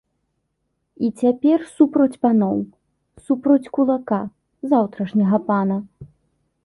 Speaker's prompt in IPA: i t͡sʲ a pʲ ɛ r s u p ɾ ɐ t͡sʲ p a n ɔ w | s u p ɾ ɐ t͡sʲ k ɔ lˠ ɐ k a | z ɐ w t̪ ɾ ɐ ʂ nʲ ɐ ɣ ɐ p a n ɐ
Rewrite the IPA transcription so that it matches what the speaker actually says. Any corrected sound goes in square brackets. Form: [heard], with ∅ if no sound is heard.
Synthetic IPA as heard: i t͡sʲ a pʲ ɛ r s u p ɾ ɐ t͡sʲ p a n ɔ w | s u p ɾ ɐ t͡sʲ k [u] lˠ [a] k a | z [a] w t̪ ɾ ɐ ʂ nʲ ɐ ɣ ɐ p a n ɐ